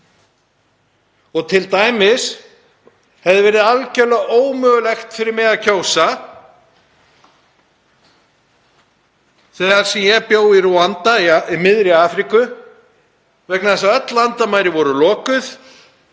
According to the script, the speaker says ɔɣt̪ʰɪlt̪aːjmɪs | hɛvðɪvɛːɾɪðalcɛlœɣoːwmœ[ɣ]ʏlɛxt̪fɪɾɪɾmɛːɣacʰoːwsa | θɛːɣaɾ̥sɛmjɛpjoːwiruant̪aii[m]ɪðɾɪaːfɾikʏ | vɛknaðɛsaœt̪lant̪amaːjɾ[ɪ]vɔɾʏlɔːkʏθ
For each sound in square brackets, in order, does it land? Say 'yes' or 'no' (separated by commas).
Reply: yes, yes, yes